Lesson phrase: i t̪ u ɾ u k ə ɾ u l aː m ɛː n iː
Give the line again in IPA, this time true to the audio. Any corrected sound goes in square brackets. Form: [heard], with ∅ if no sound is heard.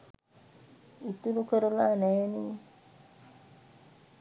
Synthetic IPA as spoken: i t̪ u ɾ u k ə ɾ u l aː [n] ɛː n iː